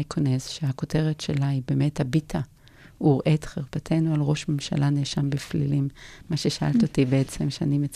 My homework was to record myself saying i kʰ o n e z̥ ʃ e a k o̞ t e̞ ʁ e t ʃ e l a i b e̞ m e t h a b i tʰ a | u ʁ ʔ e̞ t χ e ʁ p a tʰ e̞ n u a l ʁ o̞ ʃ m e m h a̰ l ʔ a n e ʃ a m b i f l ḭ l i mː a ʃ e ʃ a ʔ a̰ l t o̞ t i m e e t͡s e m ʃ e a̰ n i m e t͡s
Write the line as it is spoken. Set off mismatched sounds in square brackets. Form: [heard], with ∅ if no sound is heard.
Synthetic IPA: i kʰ o n e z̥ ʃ e a k o̞ t e̞ ʁ e t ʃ e l a i b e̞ m e t h a b i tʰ a | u ʁ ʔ e̞ t χ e ʁ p a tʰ e̞ n u a l ʁ o̞ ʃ m e m [ʃ] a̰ l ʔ a n e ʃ a m b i f l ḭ l i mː a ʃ e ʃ a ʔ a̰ l t o̞ t i [b] e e t͡s e m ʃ e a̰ n i m e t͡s